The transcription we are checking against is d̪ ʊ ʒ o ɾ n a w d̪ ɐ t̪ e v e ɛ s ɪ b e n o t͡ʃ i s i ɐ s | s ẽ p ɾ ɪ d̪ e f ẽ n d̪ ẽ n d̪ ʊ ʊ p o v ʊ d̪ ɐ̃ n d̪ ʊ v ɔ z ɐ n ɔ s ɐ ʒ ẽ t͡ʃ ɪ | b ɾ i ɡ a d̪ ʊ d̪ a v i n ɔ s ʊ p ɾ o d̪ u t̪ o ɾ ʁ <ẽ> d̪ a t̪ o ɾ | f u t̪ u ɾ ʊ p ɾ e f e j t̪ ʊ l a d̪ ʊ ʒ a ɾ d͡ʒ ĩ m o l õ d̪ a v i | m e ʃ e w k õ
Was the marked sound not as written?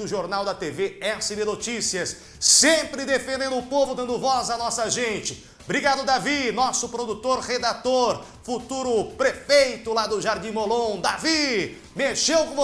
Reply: yes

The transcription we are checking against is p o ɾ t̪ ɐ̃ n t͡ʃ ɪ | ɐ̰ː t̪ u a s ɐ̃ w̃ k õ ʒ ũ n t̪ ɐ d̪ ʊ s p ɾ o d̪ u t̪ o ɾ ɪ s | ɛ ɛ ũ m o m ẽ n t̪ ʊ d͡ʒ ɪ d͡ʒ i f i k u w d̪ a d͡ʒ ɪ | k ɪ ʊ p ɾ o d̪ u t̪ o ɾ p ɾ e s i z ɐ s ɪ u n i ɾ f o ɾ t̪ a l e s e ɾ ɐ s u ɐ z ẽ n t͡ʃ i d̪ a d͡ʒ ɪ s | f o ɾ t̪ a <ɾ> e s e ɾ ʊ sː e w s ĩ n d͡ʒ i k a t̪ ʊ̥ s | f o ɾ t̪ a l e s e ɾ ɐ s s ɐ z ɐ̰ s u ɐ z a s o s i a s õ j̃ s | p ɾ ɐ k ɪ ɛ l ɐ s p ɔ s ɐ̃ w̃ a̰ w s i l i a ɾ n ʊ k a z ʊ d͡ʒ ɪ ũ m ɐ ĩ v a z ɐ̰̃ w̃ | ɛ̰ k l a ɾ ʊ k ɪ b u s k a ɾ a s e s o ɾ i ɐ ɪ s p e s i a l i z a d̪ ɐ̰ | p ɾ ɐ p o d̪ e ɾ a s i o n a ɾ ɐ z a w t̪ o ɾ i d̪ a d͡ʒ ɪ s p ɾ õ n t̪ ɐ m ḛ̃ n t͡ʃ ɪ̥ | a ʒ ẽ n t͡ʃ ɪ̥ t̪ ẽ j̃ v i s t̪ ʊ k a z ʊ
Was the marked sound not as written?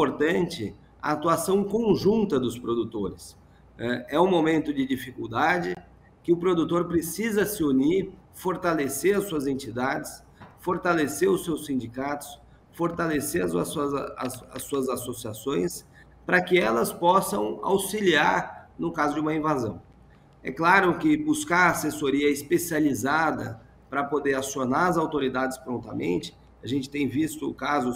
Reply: yes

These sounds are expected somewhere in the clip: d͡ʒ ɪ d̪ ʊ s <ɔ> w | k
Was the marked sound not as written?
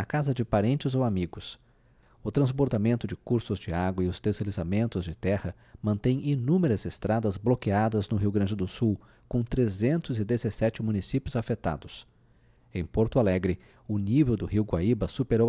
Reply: yes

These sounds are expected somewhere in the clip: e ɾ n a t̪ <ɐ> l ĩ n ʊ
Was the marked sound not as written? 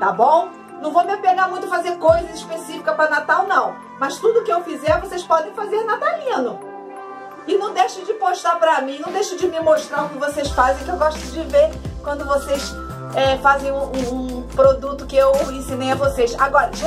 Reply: yes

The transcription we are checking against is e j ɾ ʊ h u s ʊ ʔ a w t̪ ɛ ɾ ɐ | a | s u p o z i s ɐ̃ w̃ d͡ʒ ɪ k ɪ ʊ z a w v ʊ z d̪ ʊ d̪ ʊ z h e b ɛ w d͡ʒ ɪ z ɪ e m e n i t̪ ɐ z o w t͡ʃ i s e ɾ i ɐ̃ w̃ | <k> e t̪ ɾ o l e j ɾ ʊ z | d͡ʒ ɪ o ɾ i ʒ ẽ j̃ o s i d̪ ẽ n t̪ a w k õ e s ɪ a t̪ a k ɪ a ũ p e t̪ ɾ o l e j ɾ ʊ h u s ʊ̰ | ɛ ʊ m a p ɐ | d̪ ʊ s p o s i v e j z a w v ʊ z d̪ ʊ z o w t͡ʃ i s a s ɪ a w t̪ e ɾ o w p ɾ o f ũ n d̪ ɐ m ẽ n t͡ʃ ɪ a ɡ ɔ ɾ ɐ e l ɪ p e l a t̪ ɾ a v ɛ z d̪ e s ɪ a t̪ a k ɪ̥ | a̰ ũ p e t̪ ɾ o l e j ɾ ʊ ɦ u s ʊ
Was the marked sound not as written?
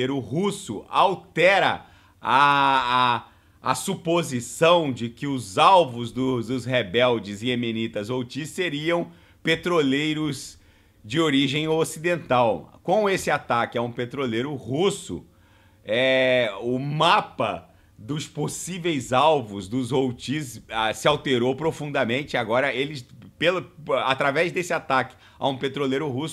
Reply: yes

